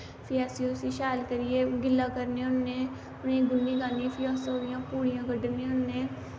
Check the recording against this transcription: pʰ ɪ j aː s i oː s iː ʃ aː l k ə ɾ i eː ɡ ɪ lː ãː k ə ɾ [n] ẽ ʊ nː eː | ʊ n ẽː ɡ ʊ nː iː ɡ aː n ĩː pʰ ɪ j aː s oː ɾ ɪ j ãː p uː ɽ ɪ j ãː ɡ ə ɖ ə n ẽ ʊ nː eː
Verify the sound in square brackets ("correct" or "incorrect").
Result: correct